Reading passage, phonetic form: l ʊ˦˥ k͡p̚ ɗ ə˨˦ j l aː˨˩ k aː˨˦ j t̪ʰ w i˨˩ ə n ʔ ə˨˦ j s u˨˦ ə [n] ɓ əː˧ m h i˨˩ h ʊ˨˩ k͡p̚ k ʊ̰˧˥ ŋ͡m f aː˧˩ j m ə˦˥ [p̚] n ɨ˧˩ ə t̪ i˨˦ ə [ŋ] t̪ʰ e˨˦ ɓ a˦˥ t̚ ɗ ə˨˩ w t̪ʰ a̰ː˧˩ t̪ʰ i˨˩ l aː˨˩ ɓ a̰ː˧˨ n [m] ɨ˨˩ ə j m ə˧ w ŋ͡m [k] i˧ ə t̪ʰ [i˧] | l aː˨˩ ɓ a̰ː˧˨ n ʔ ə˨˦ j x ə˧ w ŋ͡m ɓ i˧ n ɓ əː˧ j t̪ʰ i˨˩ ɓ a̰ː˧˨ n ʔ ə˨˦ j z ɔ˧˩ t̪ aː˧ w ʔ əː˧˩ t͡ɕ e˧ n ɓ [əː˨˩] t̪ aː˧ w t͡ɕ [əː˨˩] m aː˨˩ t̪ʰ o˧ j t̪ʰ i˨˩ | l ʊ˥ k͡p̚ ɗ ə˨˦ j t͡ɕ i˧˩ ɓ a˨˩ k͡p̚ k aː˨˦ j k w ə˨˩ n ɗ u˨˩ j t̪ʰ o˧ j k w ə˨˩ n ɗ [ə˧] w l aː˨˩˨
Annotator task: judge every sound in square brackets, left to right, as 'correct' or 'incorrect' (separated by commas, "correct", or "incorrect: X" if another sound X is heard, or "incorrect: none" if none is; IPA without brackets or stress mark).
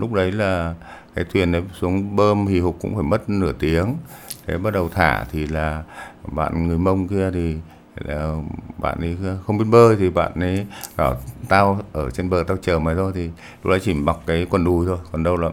incorrect: ŋ, incorrect: t̚, correct, incorrect: ŋ, correct, incorrect: i˨˩, correct, correct, correct